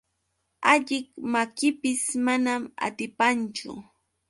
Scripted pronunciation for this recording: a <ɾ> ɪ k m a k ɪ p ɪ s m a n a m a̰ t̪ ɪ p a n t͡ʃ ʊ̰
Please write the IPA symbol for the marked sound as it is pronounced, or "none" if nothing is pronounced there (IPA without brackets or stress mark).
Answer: ʎ